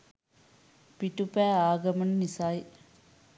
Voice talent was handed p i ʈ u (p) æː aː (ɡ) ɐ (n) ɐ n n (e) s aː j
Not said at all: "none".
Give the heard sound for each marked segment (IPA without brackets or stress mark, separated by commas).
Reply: p, ɡ, m, i